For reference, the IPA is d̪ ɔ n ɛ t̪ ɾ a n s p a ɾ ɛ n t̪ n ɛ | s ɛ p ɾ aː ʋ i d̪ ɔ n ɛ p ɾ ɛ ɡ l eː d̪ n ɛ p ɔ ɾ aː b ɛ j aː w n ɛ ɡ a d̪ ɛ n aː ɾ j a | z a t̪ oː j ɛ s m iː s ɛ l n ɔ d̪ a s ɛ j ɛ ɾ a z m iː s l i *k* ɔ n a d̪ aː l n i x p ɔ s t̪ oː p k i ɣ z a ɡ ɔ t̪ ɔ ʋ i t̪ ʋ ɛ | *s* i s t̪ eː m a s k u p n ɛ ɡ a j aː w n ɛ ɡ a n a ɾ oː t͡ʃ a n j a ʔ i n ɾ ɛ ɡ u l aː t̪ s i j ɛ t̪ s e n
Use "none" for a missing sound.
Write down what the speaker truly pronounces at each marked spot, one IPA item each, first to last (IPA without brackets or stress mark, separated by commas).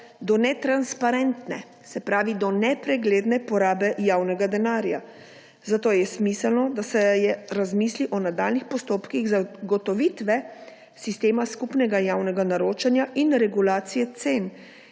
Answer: ʔ, s